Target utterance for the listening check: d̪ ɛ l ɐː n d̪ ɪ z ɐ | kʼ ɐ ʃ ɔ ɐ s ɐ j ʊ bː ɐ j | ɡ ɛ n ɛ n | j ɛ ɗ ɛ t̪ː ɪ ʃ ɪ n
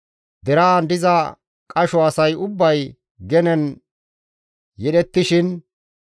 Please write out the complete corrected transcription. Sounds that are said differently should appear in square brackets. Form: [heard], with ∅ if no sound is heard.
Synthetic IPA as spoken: d̪ ɛ [ɾ] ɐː n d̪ ɪ z ɐ | kʼ ɐ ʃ ɔ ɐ s ɐ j ʊ bː ɐ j | ɡ ɛ n ɛ n | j ɛ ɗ ɛ t̪ː ɪ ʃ ɪ n